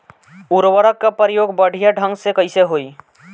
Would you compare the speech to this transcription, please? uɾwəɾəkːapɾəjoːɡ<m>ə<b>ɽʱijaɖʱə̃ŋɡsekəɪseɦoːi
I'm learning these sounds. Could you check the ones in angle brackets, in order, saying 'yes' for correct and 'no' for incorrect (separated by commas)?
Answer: no, no